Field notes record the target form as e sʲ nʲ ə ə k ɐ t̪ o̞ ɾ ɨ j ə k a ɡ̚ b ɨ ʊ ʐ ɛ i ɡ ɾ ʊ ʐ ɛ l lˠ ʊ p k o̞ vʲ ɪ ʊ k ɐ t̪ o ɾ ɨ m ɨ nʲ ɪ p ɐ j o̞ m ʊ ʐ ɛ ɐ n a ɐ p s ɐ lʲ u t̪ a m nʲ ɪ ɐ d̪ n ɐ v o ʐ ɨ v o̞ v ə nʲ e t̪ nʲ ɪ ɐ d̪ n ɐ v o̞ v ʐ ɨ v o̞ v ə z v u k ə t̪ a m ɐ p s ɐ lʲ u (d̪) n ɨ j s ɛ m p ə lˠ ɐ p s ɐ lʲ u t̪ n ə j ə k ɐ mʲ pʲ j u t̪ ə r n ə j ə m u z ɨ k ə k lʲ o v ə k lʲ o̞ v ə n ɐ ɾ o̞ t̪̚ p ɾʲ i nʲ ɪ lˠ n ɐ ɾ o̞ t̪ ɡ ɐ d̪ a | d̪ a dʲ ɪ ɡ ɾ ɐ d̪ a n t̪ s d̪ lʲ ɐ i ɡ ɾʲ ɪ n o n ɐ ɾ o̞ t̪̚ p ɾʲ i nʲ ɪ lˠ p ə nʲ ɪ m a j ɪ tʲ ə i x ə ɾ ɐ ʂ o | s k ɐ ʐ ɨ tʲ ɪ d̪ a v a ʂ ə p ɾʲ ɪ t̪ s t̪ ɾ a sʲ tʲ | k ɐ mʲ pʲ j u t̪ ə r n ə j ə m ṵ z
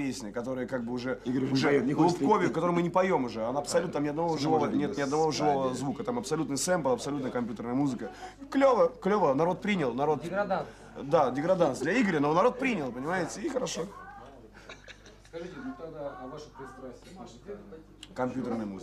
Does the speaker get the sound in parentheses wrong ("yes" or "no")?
yes